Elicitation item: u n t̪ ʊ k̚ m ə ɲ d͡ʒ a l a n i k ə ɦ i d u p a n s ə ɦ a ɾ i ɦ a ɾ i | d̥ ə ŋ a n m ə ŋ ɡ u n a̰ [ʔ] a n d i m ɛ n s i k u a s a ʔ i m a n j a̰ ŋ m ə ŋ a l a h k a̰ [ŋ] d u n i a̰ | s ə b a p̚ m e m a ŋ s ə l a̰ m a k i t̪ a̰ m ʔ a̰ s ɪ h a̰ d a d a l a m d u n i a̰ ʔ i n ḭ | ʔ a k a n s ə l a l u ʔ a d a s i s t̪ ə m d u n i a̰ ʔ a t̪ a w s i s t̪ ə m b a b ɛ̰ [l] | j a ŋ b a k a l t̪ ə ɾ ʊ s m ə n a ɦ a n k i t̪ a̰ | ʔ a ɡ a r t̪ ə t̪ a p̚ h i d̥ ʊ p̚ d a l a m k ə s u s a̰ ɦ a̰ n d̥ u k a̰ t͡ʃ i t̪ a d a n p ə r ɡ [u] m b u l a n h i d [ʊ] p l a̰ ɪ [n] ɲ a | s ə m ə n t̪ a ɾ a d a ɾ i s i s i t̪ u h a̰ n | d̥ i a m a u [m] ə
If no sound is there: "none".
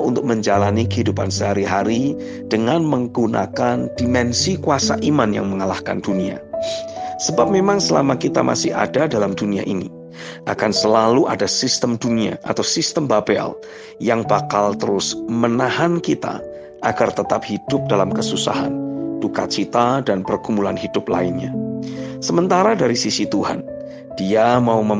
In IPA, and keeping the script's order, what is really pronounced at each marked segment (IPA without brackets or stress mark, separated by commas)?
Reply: k, n, l, u, ʊ, n, m